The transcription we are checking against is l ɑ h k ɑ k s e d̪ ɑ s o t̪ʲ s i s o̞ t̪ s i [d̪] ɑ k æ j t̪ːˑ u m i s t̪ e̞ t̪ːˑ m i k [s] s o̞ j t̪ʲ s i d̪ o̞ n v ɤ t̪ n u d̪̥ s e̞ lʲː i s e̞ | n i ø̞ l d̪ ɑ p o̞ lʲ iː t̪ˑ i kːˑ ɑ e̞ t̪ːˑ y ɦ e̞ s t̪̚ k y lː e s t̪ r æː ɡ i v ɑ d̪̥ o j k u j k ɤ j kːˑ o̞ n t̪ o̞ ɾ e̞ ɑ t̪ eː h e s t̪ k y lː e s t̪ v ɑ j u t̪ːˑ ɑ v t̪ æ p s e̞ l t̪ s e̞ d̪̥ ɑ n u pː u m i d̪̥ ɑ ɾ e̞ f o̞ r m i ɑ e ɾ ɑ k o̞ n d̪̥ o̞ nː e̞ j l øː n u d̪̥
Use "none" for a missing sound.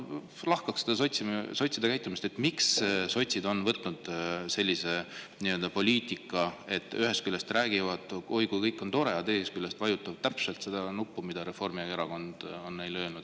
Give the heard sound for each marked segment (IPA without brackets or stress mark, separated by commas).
d̪, s